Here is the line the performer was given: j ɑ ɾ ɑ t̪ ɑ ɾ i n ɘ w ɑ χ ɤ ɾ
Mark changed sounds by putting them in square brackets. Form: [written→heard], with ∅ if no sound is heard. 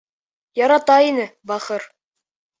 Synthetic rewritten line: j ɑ ɾ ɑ t̪ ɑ [ɾ→∅] i n ɘ [w→b] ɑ χ ɤ ɾ